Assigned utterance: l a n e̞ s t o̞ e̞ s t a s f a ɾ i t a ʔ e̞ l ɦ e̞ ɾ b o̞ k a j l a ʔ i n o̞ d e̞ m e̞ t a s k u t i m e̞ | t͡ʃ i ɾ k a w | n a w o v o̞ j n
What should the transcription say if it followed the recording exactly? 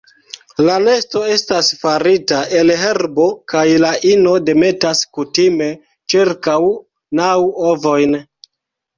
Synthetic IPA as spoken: l a n e̞ s t o̞ e̞ s t a s f a ɾ i t a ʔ e̞ l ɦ e̞ ɾ b o̞ k a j l a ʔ i n o̞ d e̞ m e̞ t a s k u t i m e̞ | t͡ʃ i ɾ k a w | n a w o v o̞ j n